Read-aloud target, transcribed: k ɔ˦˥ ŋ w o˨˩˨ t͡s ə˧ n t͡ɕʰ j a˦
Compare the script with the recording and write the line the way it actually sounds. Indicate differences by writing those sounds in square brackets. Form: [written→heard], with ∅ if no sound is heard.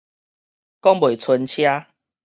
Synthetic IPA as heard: k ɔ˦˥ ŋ [w→b] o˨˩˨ [t͡s→t͡sʰ] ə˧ n t͡ɕʰ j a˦